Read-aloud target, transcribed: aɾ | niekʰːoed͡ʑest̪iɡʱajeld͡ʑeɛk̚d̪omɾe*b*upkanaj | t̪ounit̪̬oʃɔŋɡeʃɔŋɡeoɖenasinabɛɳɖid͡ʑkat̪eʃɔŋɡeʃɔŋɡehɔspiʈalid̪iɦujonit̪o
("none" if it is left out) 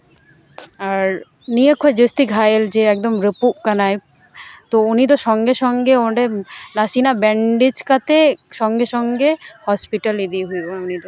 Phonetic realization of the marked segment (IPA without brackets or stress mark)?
p